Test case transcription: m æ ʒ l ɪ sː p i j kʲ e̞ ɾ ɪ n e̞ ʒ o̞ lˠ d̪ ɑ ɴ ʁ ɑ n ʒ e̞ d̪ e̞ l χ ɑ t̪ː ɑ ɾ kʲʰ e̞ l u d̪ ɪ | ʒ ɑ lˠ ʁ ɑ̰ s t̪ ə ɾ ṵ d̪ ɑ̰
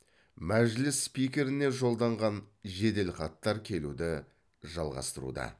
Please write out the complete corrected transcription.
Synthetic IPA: m æ ʒ l ɪ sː p i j kʲ e̞ ɾ ɪ n e̞ ʒ o̞ lˠ d̪ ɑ ɴ ʁ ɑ n ʒ e̞ d̪ e̞ l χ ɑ t̪ː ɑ ɾ kʲʰ e̞ l u d̪ ɪ | ʒ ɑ lˠ ʁ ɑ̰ s t̪ ə ɾ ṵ d̪ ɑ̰

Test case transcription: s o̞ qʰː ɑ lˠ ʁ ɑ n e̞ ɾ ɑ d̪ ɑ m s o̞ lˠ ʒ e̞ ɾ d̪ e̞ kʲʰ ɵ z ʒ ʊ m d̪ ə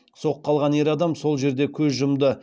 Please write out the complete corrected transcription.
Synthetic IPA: s o̞ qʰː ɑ lˠ ʁ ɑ n e̞ ɾ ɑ d̪ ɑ m s o̞ lˠ ʒ e̞ ɾ d̪ e̞ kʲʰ ɵ z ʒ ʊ m d̪ ə

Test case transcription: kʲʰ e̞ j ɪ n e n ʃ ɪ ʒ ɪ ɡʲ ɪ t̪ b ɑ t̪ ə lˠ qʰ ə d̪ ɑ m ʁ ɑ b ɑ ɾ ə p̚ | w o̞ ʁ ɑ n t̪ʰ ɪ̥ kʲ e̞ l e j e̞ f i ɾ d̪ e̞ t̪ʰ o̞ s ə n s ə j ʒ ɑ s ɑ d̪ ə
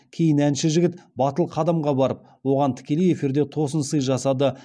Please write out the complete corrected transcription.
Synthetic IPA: kʲʰ e̞ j ɪ n æ n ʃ ɪ ʒ ɪ ɡʲ ɪ t̪ b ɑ t̪ ə lˠ qʰ ɑ d̪ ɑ m ʁ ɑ b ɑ ɾ ə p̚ | w o̞ ʁ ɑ n t̪ʰ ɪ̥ kʲ e̞ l e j e̞ f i ɾ d̪ e̞ t̪ʰ o̞ s ə n s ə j ʒ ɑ s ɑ d̪ ə

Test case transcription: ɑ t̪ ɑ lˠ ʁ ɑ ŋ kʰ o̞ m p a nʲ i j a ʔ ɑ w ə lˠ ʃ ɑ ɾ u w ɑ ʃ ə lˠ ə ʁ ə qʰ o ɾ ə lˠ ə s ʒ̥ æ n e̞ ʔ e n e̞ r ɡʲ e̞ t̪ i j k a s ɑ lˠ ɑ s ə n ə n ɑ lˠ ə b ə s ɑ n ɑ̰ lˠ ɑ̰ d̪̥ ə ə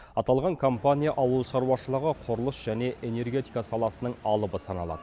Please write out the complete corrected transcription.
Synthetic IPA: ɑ t̪ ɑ lˠ ʁ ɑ ŋ kʰ o̞ m p a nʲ i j a ʔ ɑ w ə lˠ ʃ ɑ ɾ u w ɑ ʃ ə lˠ ə ʁ ə qʰ o ɾ ə lˠ ə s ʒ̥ æ n e̞ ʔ e n e̞ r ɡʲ e̞ t̪ i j k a s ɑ lˠ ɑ s ə n ə ɴ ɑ lˠ ə b ə s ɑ n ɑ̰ lˠ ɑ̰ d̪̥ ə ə

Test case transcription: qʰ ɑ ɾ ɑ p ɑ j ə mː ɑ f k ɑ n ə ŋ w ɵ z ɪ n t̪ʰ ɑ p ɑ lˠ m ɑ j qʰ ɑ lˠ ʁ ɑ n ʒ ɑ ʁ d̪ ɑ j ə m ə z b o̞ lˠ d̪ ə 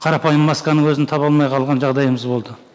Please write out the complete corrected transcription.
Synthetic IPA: qʰ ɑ ɾ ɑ p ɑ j ə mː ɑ s k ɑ n ə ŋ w ɵ z ɪ n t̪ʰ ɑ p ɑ lˠ m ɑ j qʰ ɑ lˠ ʁ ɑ n ʒ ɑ ʁ d̪ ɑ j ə m ə z b o̞ lˠ d̪ ə

